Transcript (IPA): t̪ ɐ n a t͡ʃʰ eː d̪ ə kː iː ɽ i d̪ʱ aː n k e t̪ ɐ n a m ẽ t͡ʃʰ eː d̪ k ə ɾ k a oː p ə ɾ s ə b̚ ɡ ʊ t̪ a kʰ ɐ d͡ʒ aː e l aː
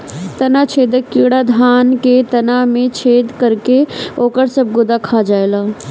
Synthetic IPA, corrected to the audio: t̪ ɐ n a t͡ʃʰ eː d̪ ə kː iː ɽ a d̪ʱ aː n k e t̪ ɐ n a m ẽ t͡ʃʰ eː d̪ k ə ɾ k e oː k ə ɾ s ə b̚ ɡ ʊ d̪ a kʰ a d͡ʒ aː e l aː